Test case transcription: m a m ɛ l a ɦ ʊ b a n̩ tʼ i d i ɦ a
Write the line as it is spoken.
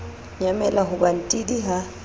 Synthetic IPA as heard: ɲ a m ɛ l a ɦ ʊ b a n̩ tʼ i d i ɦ a